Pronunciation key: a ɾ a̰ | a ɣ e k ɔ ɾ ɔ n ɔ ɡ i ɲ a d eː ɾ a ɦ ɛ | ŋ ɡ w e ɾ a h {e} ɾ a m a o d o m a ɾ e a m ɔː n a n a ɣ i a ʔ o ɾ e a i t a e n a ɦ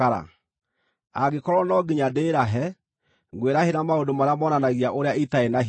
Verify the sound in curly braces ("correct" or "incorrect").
correct